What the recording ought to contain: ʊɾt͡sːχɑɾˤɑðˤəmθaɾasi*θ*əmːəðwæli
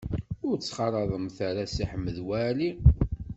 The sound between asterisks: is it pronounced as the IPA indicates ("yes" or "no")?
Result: no